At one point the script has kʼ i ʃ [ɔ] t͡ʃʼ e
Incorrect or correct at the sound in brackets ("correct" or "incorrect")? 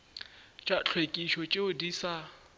correct